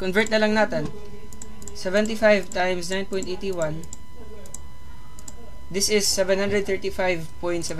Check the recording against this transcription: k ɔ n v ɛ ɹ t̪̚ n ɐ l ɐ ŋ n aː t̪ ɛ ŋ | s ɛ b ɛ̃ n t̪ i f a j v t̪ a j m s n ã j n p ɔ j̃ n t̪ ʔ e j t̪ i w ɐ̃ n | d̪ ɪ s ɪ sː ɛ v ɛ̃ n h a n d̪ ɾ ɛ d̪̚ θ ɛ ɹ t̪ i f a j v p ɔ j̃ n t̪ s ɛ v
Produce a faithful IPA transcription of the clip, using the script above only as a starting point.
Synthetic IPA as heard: k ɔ n v ɛ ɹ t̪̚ n ɐ l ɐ ŋ n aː t̪ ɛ n | s ɛ v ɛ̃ n t̪ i f a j v t̪ a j m s n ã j n p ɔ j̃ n t̪ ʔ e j t̪ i w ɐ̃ n | d̪ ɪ s ɪ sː ɛ v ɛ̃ n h a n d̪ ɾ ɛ d̪̚ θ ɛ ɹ t̪ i f a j v p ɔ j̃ n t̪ s ɛ v

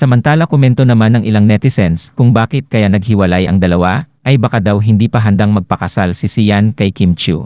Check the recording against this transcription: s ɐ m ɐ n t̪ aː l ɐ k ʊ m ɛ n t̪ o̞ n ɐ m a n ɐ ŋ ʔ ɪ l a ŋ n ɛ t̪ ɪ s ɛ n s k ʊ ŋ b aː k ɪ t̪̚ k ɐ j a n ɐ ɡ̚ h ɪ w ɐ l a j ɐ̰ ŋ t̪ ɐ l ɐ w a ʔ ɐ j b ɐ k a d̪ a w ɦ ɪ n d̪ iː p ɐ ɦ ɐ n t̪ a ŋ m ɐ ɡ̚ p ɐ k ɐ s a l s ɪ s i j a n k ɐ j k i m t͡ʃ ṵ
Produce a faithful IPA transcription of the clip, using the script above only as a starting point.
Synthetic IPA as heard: s ɐ m ɐ n t̪ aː l ɐ k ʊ m ɛ n t̪ o̞ n ɐ m a n ɐ ŋ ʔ ɪ l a ŋ n ɛ t̪ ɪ s ɛ n s k ʊ ŋ b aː k ɪ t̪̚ k ɐ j a n ɐ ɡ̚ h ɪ w ɐ l a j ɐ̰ ŋ d̪ ɐ l ɐ w a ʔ ɐ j b ɐ k a d̪ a w ɦ ɪ n d̪ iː p ɐ ɦ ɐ n d̪ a ŋ m ɐ ɡ̚ p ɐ k ɐ s a l s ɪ s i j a n k ɐ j k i m t͡ʃ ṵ

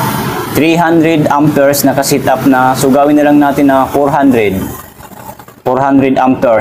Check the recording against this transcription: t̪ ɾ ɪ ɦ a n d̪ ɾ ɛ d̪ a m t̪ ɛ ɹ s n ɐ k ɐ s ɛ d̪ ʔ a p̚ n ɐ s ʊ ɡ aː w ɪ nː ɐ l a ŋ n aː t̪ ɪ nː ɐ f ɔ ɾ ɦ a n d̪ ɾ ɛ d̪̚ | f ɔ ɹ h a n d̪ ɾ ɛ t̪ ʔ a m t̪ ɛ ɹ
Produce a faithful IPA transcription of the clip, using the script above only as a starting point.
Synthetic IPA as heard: t̪ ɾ i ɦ a n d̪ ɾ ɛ d̪ a m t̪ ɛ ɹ s n ɐ k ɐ s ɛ t̪ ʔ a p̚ n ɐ s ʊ ɡ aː w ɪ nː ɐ l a ŋ n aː t̪ ɪ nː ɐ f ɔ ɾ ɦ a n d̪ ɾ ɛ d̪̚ | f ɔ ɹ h a n d̪ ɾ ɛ d̪ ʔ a m t̪ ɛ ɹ

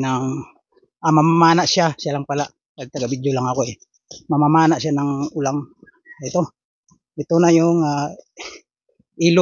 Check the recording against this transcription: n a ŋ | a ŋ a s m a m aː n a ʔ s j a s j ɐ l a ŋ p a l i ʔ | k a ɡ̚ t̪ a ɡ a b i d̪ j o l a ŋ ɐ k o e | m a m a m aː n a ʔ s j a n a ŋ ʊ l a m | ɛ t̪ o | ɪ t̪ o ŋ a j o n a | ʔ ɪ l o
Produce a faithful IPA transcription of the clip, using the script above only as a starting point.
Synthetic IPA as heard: n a ŋ | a m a m a m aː n a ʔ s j a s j a l a ŋ p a l a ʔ | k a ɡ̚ t̪ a ɡ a b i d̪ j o l a ŋ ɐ k o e | m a m a m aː n a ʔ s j a n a ŋ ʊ l a ŋ | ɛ t̪ o | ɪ t̪ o n a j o ŋ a | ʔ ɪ l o

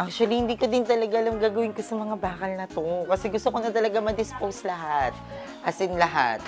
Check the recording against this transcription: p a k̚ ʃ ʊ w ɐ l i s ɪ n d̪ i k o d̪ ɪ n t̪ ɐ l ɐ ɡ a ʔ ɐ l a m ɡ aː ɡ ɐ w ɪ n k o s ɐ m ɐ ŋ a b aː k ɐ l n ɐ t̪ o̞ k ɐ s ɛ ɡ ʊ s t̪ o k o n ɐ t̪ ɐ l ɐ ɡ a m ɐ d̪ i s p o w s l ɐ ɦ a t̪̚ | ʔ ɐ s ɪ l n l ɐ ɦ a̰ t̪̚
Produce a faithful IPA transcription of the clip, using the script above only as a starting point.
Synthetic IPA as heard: ʔ a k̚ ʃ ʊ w ɐ l i h ɪ n d̪ iː k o d̪ ɪ n t̪ ɐ l ɐ ɡ a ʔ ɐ l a m ɡ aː ɡ ɐ w ɪ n k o s ɐ m ɐ ŋ a b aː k ɐ l n ɐ t̪ o̞ k ɐ s ɛ ɡ ʊ s t̪ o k o n ɐ t̪ ɐ l ɐ ɡ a m ɐ d̪ ɪ s p o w s l ɐ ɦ a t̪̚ | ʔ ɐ s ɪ n l ɐ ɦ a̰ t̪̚

